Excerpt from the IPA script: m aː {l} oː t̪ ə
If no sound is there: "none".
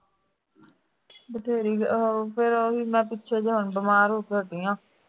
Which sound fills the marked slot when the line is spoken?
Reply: ɾ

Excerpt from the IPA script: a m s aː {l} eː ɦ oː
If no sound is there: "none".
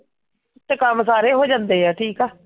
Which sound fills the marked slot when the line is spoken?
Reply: ɾ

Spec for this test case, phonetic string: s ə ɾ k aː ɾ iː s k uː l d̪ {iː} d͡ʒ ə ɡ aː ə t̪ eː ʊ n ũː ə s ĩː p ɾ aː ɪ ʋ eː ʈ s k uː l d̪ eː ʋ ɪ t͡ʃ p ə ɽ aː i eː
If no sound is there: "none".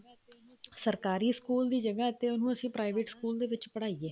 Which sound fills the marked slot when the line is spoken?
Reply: iː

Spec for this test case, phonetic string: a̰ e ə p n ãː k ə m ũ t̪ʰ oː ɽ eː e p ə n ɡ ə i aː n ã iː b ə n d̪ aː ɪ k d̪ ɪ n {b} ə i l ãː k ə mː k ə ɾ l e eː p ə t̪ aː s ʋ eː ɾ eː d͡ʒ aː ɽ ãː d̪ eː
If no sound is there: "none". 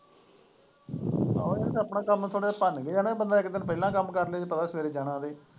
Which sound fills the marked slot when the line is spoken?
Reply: p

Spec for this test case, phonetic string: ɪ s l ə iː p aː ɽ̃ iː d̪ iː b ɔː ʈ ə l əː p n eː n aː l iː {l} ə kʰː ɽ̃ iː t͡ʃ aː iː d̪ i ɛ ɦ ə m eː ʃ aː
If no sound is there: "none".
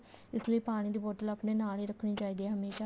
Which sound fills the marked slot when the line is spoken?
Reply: ɾ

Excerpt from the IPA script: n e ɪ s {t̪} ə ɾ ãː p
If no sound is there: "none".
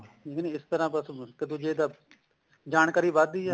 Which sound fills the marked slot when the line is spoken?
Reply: t̪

